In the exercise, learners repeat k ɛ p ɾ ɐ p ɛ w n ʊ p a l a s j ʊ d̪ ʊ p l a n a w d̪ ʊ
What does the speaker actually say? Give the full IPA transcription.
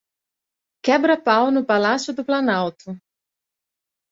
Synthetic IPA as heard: k ɛ b ɾ ɐ p a w n ʊ p a l a s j ʊ d̪ ʊ p l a n a w t̪ ʊ